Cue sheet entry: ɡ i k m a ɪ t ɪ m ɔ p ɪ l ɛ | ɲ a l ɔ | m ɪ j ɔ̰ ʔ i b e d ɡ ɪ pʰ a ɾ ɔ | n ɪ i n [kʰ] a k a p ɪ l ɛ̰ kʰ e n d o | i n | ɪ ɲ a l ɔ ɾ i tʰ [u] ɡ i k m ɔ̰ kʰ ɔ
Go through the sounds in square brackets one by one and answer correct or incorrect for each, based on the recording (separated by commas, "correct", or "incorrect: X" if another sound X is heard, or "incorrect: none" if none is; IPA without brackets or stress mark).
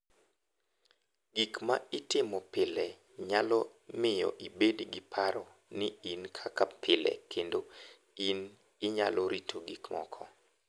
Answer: correct, incorrect: o